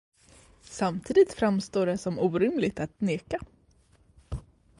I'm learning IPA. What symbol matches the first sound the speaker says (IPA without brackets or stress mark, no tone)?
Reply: s